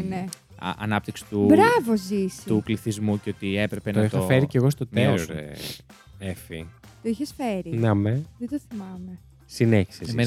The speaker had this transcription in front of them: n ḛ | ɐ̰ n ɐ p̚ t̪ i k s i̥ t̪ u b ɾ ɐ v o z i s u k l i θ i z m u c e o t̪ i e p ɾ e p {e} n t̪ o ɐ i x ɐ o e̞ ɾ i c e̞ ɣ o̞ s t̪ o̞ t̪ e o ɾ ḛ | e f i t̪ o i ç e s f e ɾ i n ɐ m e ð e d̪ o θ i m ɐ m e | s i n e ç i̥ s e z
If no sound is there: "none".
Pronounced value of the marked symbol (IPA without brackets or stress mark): e